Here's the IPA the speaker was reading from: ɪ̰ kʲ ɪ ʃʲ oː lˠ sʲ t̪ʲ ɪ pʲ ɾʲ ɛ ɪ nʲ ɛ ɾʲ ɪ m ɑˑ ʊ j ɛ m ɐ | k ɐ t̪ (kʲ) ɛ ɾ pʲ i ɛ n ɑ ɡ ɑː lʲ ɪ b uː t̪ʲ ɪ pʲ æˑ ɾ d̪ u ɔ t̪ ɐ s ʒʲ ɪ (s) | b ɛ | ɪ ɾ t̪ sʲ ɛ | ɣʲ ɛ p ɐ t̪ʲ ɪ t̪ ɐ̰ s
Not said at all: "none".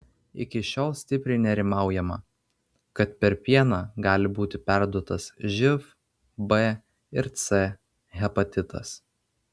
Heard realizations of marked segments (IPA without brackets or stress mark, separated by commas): pʲ, f